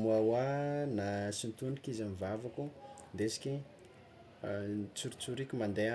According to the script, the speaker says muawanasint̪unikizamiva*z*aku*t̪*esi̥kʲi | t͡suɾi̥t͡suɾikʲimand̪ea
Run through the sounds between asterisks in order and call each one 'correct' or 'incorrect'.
incorrect, incorrect

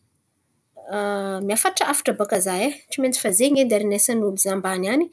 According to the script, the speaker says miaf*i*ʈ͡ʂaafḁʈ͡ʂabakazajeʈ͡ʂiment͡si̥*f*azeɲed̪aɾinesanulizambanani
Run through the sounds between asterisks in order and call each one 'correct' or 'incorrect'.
incorrect, correct

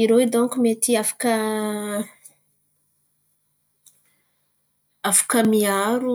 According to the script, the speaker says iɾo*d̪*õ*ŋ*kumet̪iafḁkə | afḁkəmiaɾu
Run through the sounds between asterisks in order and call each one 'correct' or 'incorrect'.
correct, correct

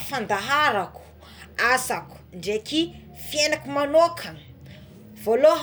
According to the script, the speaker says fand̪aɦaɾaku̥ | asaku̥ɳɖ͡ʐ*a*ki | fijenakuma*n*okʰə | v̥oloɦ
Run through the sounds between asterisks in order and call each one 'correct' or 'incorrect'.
incorrect, correct

